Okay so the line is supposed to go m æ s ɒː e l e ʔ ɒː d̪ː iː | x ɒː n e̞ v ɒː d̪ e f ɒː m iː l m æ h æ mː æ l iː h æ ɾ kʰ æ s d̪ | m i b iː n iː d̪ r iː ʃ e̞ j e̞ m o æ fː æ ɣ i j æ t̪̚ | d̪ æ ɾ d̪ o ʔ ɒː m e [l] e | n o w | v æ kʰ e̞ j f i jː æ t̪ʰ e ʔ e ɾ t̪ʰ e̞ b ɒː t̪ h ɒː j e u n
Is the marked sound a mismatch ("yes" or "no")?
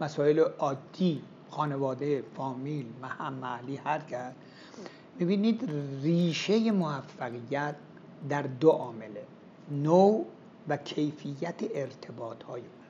no